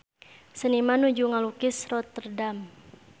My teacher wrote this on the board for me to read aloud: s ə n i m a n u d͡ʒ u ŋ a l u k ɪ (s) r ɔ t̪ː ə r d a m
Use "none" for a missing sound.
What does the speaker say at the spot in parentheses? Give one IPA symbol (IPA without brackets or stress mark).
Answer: s